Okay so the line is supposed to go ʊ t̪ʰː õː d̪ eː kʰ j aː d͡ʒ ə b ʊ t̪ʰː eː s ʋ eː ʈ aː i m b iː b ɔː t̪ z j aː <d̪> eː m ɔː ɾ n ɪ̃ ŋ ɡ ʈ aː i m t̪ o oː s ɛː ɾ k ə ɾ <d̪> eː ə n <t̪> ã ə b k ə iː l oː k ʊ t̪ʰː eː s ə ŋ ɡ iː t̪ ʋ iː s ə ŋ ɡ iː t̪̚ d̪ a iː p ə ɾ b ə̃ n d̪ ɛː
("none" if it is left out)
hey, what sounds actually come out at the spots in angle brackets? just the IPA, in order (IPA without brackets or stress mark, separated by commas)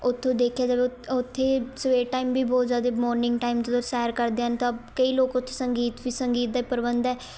d̪, d̪, t̪